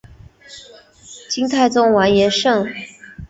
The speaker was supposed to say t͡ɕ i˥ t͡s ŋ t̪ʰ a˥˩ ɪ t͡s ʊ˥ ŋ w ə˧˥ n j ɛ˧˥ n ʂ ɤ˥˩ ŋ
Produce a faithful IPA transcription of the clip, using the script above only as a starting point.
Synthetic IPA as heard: t͡ɕ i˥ ŋ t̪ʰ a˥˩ ɪ t͡s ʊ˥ ŋ w a˧˥ n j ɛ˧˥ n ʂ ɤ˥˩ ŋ